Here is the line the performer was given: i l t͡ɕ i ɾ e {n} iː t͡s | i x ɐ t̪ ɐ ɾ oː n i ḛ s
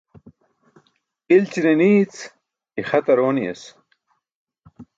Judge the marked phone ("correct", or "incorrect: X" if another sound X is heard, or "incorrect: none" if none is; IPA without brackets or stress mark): correct